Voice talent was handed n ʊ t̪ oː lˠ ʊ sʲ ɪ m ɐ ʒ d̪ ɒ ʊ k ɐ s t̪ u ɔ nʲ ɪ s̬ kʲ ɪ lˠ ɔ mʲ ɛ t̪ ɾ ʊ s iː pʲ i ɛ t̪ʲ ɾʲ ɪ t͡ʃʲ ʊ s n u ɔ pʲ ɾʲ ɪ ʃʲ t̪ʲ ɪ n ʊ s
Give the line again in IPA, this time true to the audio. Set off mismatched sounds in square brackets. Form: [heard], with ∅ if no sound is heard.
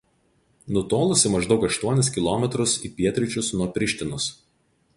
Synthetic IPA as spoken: n ʊ t̪ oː lˠ ʊ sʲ ɪ m ɐ ʒ d̪ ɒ ʊ k ɐ [ʃ] t̪ u ɔ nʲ ɪ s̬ kʲ ɪ lˠ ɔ mʲ ɛ t̪ ɾ ʊ s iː pʲ i ɛ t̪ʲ ɾʲ ɪ t͡ʃʲ ʊ s n u ɔ pʲ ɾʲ ɪ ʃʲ t̪ʲ ɪ n ʊ s